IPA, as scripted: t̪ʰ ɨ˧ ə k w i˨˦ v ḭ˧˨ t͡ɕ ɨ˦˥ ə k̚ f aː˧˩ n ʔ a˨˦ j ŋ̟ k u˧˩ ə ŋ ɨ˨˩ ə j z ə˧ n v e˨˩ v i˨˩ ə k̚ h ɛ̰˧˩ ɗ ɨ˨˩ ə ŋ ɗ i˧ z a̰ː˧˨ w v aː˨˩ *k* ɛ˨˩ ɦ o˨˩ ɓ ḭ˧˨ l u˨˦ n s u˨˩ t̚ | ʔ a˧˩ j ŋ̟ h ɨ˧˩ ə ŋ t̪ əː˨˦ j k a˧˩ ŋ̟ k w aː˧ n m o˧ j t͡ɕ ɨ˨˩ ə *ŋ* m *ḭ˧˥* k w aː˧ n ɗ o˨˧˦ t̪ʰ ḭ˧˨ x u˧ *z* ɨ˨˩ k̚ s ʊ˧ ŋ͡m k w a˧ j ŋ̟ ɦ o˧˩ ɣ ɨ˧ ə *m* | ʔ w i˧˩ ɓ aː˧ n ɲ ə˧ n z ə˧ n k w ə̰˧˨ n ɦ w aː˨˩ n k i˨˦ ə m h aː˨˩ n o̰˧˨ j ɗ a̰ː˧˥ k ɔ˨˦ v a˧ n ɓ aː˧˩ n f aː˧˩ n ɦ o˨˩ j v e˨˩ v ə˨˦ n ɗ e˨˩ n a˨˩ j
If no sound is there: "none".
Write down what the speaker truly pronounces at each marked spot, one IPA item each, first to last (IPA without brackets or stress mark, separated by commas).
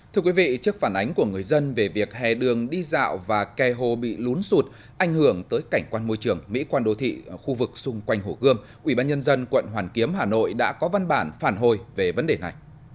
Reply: k, ŋ, ḭ˧˥, v, m